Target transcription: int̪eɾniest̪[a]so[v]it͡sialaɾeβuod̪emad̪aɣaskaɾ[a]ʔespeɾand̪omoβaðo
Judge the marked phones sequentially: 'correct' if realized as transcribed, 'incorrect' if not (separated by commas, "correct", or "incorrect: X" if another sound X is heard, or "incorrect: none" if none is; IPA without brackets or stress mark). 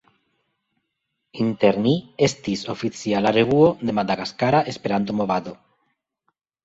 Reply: incorrect: i, incorrect: f, correct